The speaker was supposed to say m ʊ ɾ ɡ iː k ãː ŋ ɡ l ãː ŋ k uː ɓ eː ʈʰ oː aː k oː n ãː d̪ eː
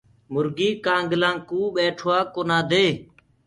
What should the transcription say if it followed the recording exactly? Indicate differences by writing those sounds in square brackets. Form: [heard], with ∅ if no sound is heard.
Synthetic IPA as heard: m ʊ ɾ ɡ iː k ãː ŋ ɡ l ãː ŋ k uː ɓ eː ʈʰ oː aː k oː n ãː d̪ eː